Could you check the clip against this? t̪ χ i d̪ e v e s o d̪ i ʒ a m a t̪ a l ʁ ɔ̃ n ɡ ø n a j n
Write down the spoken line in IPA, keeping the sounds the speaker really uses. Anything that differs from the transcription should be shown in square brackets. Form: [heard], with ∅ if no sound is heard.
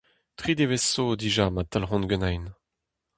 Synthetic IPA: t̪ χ i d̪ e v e s o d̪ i ʒ a m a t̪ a l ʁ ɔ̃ n ɡ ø n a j n